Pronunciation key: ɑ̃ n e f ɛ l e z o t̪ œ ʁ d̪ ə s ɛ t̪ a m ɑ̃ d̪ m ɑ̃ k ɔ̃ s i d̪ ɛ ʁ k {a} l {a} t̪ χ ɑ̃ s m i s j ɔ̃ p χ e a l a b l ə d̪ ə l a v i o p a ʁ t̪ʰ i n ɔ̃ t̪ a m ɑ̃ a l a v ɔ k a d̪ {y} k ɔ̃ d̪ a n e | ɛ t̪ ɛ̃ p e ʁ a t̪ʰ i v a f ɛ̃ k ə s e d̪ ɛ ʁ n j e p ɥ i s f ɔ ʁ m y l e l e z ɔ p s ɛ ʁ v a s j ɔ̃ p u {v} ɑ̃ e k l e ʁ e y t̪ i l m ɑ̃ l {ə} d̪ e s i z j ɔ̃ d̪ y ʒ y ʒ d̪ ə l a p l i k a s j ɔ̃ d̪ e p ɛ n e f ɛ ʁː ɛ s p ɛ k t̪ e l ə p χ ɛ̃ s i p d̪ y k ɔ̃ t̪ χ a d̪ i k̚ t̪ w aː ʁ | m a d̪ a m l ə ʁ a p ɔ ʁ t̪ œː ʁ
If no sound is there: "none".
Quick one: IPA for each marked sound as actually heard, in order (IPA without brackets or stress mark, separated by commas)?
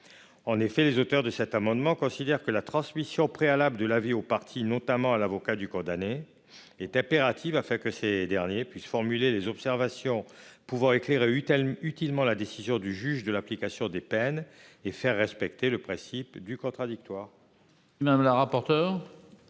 ə, a, y, v, a